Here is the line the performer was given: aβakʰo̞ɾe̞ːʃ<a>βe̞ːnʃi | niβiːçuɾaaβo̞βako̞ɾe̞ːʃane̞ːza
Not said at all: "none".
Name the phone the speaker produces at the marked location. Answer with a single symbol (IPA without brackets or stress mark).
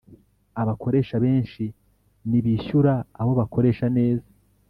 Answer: a